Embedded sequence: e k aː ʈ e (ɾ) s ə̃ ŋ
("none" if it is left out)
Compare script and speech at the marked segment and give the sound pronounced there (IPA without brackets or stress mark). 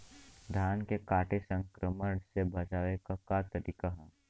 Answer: none